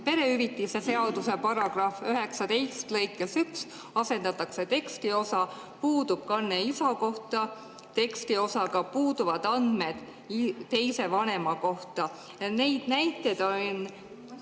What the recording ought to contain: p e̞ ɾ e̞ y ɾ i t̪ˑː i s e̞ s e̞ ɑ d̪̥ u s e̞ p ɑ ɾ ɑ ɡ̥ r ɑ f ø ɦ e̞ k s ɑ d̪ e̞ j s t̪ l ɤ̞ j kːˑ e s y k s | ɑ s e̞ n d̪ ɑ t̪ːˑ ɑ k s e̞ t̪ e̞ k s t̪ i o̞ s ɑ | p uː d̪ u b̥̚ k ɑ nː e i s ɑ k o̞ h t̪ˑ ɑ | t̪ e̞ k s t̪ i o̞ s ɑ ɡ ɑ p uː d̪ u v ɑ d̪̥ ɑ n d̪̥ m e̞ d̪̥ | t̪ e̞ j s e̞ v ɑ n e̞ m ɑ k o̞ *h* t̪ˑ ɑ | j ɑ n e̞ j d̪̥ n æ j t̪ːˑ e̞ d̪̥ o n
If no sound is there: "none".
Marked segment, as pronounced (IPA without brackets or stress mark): h